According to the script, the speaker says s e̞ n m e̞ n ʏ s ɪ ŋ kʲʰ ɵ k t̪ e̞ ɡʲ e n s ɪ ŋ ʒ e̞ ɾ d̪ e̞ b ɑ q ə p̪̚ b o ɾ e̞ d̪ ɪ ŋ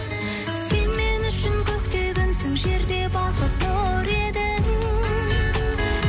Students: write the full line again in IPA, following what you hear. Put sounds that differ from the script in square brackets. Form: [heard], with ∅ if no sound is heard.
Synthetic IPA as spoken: s e̞ n m e̞ n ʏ [ʃ] ɪ ŋ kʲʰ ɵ k t̪ e̞ ɡʲ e n s ɪ ŋ ʒ e̞ ɾ d̪ e̞ b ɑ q ə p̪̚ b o ɾ e̞ d̪ ɪ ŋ